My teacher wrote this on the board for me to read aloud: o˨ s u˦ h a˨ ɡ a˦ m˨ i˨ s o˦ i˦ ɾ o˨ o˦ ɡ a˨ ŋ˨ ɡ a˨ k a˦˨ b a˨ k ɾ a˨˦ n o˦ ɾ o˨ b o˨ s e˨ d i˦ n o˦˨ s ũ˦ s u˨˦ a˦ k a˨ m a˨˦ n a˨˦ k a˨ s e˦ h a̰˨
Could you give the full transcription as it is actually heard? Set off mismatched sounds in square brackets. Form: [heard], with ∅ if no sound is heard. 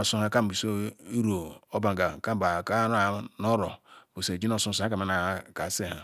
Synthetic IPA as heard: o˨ s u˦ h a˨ [k] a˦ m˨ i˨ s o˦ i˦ ɾ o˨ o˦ [b] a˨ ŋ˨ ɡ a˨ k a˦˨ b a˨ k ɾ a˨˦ n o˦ ɾ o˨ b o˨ s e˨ [d͡ʒ] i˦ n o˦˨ s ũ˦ s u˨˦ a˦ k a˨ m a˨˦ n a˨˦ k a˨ s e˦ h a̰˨